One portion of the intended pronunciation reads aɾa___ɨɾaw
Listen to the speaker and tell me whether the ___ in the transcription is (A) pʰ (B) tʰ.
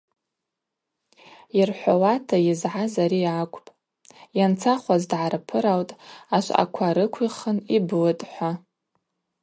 A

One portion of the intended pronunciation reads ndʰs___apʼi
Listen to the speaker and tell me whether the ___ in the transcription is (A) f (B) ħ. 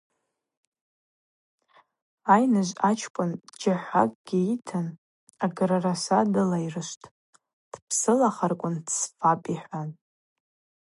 A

